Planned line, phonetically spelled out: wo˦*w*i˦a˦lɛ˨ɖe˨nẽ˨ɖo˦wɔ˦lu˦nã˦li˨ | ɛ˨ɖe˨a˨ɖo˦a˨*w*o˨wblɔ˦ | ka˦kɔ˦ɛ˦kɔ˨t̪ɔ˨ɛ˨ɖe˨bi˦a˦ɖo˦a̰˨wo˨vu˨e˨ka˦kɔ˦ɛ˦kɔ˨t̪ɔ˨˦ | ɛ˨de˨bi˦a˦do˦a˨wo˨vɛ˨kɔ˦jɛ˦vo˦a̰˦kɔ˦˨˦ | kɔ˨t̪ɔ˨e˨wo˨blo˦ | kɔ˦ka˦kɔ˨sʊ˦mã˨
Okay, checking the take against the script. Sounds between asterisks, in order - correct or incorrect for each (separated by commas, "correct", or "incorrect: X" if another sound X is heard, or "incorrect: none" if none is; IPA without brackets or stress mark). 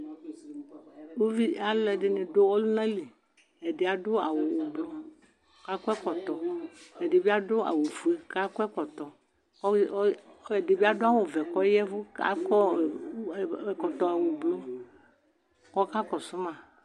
incorrect: v, correct